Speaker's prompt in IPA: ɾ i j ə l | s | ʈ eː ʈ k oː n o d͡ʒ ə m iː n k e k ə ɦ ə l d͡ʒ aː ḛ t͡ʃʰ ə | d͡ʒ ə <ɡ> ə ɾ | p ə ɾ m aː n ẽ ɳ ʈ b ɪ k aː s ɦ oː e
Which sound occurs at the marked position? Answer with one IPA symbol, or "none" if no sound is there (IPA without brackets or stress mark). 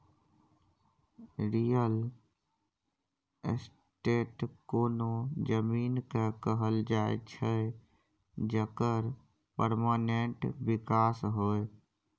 k